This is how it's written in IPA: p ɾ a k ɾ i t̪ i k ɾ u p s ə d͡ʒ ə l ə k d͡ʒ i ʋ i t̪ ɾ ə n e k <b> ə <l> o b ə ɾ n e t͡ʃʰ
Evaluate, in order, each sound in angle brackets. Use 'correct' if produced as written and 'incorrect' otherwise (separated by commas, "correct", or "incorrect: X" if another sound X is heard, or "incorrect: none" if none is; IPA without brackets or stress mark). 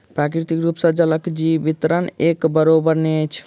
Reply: correct, incorrect: ɾ